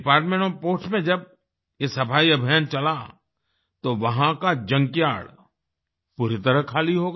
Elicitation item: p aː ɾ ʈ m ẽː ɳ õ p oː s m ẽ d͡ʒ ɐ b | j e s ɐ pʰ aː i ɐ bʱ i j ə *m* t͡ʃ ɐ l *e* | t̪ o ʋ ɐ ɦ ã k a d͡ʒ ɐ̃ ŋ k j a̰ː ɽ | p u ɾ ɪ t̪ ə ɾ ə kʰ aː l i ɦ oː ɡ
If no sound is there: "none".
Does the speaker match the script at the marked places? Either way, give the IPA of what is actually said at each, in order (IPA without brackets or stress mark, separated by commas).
n, a